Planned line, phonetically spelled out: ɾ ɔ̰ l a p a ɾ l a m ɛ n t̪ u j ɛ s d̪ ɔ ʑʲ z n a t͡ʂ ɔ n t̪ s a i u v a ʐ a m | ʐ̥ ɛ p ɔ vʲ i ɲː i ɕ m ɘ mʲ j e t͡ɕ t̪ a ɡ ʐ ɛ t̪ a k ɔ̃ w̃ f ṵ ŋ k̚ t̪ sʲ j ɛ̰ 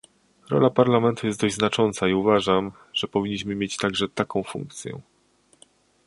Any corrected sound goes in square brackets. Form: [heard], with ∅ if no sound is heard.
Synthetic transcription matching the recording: ɾ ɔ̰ l a p a ɾ l a m ɛ n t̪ u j ɛ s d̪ ɔ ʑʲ z n a t͡ʂ ɔ n t̪ s a i u v a ʐ a m | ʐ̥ ɛ p ɔ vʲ i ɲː i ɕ m ɘ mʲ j e t͡ɕ t̪ a ɡ ʐ ɛ t̪ a k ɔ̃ w̃ f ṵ ŋ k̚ t̪ sʲ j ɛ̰